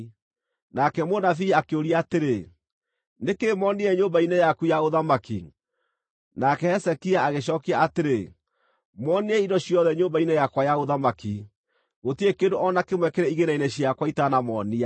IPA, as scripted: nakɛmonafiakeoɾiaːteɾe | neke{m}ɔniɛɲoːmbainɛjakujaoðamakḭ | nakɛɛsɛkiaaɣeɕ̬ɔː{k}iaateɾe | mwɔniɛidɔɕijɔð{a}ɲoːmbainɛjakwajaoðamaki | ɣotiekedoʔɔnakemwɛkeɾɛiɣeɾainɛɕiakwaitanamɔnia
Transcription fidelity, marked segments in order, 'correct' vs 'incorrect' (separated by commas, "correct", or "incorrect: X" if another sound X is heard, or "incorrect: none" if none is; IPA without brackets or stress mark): correct, correct, incorrect: ɛ